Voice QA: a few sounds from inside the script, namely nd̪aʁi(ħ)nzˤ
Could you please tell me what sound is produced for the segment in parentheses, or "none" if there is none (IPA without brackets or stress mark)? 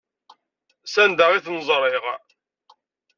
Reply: θ